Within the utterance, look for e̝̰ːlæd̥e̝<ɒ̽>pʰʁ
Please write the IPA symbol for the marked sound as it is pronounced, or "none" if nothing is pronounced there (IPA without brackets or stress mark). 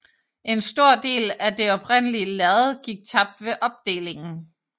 ɒ̽